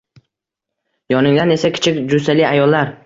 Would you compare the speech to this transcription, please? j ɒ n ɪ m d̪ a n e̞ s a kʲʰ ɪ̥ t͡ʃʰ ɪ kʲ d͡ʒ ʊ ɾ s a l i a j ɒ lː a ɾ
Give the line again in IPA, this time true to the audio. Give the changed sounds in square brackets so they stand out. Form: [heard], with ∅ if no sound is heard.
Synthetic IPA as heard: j ɒ n ɪ [ŋ] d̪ a n e̞ s a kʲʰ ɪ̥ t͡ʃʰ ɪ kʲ d͡ʒ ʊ [∅] s a l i a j ɒ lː a ɾ